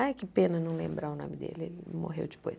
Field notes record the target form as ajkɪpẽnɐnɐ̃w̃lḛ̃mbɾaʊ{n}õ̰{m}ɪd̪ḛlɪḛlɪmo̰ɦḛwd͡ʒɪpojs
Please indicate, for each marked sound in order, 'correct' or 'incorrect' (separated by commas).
correct, correct